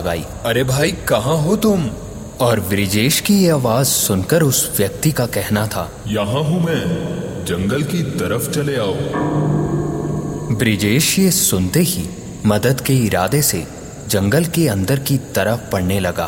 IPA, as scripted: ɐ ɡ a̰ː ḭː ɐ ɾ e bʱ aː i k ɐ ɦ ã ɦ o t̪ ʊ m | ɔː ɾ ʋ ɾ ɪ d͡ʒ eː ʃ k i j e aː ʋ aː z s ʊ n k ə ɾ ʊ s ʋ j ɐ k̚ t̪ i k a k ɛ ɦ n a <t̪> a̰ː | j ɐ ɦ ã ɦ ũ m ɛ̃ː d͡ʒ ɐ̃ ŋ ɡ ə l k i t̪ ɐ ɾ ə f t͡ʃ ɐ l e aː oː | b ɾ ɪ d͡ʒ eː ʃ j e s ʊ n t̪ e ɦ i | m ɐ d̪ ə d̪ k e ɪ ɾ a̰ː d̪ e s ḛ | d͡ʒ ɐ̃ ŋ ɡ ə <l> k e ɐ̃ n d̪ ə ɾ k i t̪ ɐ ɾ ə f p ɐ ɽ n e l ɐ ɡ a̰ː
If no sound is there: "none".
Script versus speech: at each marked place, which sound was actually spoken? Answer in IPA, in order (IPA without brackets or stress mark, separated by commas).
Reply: t̪ʰ, l